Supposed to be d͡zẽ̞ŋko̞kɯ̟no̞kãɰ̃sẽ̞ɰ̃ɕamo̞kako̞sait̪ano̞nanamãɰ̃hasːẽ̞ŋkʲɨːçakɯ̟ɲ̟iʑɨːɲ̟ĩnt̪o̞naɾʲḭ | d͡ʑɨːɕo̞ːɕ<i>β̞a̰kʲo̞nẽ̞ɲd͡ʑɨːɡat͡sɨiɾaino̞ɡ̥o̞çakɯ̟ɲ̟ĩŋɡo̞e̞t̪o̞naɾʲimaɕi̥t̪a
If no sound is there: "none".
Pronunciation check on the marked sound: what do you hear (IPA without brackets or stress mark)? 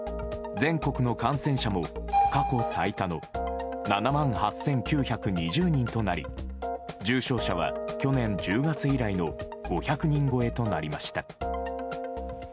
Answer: a